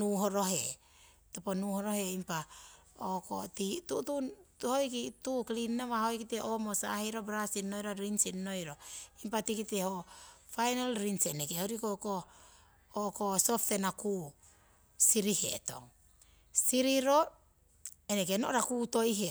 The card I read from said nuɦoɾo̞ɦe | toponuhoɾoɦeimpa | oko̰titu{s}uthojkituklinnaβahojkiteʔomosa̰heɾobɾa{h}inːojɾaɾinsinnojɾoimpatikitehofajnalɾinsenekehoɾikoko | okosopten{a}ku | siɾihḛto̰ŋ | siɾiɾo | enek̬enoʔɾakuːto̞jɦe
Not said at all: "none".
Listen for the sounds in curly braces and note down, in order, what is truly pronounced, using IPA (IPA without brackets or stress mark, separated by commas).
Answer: t, s, a